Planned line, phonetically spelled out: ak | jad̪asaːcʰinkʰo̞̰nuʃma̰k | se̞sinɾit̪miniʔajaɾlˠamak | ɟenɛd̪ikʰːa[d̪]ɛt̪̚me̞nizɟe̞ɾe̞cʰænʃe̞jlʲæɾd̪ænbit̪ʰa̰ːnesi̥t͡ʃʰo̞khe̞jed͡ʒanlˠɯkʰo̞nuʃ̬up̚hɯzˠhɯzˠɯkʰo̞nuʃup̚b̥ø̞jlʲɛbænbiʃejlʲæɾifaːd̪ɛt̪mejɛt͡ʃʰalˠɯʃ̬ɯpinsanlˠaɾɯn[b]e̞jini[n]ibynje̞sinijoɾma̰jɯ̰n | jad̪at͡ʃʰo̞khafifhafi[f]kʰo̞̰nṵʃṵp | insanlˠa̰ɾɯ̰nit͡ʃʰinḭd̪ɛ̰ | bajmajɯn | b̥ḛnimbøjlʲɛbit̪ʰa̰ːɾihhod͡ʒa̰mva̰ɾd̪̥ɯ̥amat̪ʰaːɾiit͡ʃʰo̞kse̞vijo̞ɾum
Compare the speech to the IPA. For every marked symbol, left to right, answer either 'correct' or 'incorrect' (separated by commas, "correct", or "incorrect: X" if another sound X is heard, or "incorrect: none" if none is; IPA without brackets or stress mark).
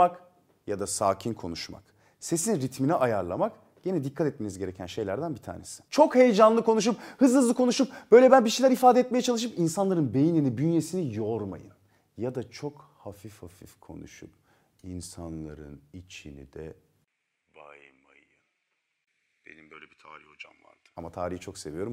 incorrect: t̪, correct, correct, correct